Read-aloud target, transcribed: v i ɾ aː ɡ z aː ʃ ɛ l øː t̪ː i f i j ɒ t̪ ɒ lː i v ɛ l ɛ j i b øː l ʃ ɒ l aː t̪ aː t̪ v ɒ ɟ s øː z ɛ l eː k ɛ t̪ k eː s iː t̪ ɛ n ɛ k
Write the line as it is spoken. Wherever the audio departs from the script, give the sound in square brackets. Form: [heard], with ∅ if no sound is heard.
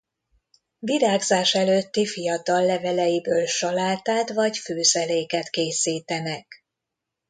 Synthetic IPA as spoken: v i ɾ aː ɡ z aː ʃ ɛ l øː t̪ː i f i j ɒ t̪ ɒ lː [ɛ] v ɛ l ɛ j i b øː l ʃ ɒ l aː t̪ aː t̪ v ɒ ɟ [f] øː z ɛ l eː k ɛ t̪ k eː s iː t̪ ɛ n ɛ k

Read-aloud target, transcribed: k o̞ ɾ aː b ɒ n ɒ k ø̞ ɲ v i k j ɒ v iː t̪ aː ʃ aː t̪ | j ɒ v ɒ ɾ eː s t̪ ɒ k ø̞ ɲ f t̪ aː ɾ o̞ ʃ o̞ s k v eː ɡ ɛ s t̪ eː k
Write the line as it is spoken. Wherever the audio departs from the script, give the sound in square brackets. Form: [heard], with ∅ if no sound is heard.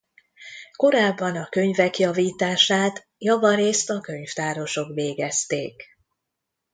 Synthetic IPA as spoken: k o̞ ɾ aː [bː] ɒ n ɒ k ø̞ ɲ v [ɛ] k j ɒ v iː t̪ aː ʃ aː t̪ | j ɒ v ɒ ɾ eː s t̪ ɒ k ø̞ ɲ f t̪ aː ɾ o̞ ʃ o̞ [∅] k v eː ɡ ɛ s t̪ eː k

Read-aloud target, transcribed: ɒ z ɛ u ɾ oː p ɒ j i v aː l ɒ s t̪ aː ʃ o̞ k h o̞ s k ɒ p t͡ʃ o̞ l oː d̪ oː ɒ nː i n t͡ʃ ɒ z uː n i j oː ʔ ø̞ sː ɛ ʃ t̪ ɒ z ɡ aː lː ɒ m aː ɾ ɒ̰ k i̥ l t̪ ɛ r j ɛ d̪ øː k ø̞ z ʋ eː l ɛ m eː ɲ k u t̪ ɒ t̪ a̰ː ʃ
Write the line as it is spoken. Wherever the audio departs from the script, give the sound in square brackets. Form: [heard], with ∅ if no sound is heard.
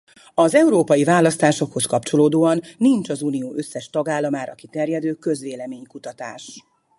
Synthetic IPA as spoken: ɒ z ɛ u ɾ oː p ɒ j i v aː l ɒ s t̪ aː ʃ o̞ k h o̞ s k ɒ p t͡ʃ o̞ l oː d̪ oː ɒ nː i n t͡ʃ ɒ z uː n i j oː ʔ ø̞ sː ɛ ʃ t̪ ɒ [∅] ɡ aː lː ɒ m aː ɾ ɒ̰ k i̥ [∅] t̪ ɛ r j ɛ d̪ øː k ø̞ z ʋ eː l ɛ m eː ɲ k u t̪ ɒ t̪ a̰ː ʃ

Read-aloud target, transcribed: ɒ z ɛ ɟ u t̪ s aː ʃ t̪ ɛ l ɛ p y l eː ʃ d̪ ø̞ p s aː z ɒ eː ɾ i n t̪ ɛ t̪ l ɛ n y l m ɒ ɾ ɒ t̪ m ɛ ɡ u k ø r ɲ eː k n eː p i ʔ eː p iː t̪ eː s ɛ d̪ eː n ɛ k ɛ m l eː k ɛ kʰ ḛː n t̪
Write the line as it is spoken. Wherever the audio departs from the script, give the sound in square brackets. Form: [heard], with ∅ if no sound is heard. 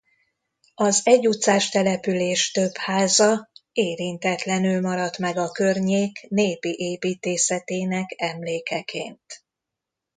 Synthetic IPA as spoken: ɒ z ɛ ɟ u t̪ s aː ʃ t̪ ɛ l ɛ p y l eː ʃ [t̪] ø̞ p [h] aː z ɒ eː ɾ i n t̪ ɛ t̪ l ɛ n y l m ɒ ɾ ɒ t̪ m ɛ ɡ [ɒ] k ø r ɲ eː k n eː p i ʔ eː p iː t̪ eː s ɛ [t̪] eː n ɛ k ɛ m l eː k ɛ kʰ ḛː n t̪

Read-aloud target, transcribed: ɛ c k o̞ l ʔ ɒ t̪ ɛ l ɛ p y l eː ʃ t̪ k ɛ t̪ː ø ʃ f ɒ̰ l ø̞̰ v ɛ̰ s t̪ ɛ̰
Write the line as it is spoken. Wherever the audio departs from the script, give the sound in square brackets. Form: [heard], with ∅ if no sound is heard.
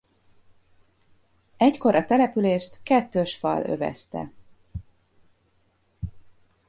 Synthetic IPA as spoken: ɛ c k o̞ [ɾ] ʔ ɒ t̪ ɛ l ɛ p y l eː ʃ t̪ k ɛ t̪ː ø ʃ f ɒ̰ l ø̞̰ v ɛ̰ s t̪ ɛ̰

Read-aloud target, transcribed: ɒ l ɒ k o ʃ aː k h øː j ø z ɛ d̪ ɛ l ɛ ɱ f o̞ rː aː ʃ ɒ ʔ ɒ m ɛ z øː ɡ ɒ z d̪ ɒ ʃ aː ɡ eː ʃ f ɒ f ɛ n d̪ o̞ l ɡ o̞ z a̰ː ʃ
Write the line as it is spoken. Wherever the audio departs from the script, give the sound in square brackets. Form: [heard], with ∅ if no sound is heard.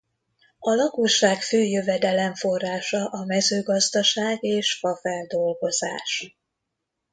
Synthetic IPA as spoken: ɒ l ɒ k o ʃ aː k [f] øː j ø [v] ɛ d̪ ɛ l ɛ ɱ f o̞ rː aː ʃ ɒ ʔ ɒ m ɛ z øː ɡ ɒ z d̪ ɒ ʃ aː ɡ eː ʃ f ɒ f ɛ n d̪ o̞ l ɡ o̞ z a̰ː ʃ

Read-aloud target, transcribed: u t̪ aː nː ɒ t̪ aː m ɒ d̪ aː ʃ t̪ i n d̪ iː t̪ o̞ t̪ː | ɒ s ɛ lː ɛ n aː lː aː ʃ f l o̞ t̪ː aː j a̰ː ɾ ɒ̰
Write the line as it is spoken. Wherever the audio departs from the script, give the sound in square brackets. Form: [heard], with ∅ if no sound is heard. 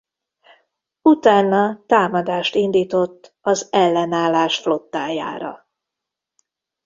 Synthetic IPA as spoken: u t̪ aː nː ɒ t̪ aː m ɒ d̪ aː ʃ t̪ i n d̪ iː t̪ o̞ t̪ː | ɒ [z] ɛ lː ɛ n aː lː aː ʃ f l o̞ t̪ː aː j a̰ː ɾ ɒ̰

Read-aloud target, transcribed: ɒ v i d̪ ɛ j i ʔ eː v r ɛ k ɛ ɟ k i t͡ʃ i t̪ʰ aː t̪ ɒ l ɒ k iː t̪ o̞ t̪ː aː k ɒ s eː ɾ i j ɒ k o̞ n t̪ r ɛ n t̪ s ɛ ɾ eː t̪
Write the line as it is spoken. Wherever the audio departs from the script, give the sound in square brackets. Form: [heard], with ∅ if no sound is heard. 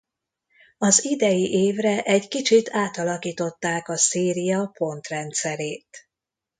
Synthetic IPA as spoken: ɒ [z] i d̪ ɛ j i ʔ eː v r ɛ [ʔ] ɛ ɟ k i t͡ʃ i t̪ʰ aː t̪ ɒ l ɒ k iː t̪ o̞ t̪ː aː k ɒ s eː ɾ i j ɒ [p] o̞ n t̪ r ɛ n t̪ s ɛ ɾ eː t̪

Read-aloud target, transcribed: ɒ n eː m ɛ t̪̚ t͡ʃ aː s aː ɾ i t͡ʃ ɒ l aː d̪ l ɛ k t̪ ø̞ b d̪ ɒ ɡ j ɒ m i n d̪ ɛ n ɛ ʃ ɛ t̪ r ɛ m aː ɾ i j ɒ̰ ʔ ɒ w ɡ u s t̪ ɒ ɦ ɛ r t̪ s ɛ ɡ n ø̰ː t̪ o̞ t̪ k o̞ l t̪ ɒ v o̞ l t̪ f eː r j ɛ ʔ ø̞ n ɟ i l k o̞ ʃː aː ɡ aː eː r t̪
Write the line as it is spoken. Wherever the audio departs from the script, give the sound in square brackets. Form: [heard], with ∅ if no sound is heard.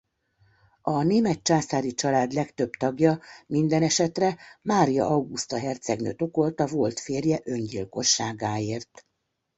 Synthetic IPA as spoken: ɒ n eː m ɛ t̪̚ t͡ʃ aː s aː ɾ i t͡ʃ ɒ l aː d̪ l ɛ k t̪ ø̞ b [t̪] ɒ ɡ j ɒ m i n d̪ ɛ n ɛ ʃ ɛ t̪ r ɛ m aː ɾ i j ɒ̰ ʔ ɒ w ɡ u s t̪ ɒ ɦ ɛ r t̪ s ɛ ɡ n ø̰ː t̪ o̞ [∅] k o̞ l t̪ ɒ v o̞ l t̪ f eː r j ɛ ʔ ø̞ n ɟ i l k o̞ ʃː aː ɡ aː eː r t̪

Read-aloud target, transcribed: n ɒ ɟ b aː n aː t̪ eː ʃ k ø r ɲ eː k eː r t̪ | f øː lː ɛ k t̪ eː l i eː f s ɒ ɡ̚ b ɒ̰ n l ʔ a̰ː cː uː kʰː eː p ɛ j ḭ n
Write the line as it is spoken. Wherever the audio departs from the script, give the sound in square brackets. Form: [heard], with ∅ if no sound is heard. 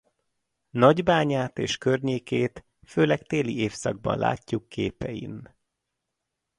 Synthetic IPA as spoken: n ɒ ɟ b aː [ɲ] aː t̪ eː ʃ k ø r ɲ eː k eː [∅] t̪ | f øː [l] ɛ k t̪ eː l i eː f s ɒ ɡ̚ b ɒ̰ n l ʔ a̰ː cː [u] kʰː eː p ɛ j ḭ n

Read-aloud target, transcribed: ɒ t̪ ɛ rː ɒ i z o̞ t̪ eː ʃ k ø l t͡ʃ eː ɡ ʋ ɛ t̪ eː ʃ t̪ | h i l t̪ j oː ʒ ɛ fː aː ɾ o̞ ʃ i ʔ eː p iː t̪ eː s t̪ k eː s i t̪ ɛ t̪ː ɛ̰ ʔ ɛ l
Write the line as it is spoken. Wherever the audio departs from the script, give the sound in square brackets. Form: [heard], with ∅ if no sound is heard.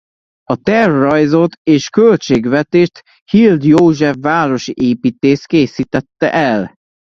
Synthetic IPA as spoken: ɒ t̪ ɛ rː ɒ [j] z o̞ t̪ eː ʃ k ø l t͡ʃ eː ɡ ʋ ɛ t̪ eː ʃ t̪ | h i l [d̪] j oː ʒ ɛ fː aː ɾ o̞ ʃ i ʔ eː p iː t̪ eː s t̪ k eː s i t̪ ɛ t̪ː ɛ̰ ʔ ɛ l

